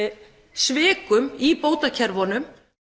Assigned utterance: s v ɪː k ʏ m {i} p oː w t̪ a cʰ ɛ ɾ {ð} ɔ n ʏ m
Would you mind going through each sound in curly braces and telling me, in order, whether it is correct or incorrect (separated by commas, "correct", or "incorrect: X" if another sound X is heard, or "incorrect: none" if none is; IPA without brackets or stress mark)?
correct, incorrect: v